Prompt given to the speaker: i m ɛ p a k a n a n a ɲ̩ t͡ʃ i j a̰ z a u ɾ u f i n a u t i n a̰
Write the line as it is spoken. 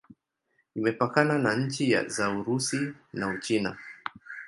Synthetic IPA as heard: i m ɛ p a k a n a n a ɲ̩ t͡ʃ i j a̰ z a u ɾ u s i n a u t͡ʃ i n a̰